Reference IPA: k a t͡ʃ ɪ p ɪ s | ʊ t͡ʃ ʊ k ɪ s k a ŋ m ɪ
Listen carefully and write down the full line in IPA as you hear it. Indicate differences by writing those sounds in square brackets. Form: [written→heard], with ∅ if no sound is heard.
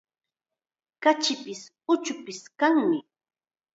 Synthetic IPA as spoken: k a t͡ʃ ɪ p ɪ s | ʊ t͡ʃ ʊ [k→p] ɪ s k a ŋ m ɪ